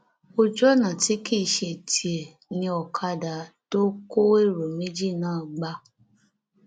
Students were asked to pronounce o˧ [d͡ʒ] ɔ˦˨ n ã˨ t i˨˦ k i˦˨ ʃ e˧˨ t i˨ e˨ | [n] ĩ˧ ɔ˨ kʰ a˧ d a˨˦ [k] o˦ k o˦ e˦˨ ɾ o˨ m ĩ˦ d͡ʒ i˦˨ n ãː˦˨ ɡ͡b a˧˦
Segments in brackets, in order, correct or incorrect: correct, correct, incorrect

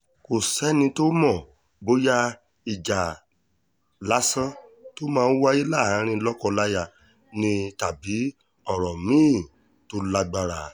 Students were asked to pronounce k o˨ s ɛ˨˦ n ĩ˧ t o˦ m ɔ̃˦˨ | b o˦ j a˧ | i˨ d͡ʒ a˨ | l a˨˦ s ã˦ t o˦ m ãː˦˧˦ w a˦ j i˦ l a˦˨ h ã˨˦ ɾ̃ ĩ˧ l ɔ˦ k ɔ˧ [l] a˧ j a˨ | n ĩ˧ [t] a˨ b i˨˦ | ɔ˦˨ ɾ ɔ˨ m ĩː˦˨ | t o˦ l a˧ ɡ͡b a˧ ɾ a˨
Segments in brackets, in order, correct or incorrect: correct, correct

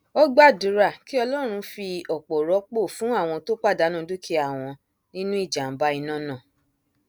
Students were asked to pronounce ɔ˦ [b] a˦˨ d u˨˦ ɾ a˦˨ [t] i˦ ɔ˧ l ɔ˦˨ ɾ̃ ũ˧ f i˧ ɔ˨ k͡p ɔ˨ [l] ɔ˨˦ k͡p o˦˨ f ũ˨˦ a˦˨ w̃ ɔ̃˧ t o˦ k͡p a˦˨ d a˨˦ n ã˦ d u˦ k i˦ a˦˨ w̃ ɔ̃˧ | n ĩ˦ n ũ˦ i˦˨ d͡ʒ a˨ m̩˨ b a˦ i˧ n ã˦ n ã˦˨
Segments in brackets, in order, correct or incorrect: incorrect, incorrect, incorrect

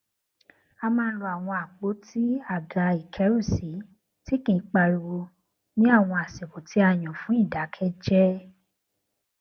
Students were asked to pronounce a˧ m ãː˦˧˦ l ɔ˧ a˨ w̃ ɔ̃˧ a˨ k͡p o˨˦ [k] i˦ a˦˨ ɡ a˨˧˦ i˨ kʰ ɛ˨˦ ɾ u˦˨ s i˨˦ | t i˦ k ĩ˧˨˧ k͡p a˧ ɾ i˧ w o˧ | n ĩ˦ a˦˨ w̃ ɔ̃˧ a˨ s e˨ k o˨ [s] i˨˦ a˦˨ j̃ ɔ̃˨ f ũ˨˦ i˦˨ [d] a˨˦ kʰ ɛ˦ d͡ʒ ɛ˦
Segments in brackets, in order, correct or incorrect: incorrect, incorrect, correct

